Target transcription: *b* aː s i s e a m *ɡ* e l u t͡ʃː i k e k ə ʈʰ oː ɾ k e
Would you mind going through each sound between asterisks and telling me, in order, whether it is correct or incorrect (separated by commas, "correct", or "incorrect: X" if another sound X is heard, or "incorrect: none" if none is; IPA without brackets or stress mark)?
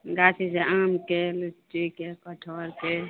incorrect: ɡ, incorrect: k